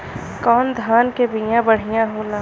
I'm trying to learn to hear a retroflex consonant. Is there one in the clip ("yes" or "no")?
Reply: yes